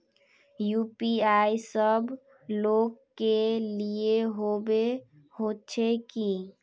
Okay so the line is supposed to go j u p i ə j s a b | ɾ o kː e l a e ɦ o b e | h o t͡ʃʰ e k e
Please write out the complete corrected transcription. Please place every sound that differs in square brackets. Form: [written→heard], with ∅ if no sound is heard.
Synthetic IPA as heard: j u p i [ə→a] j s [a→ə] b | [ɾ→l] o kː e l [a→i] e ɦ o b e | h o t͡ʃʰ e k [e→i]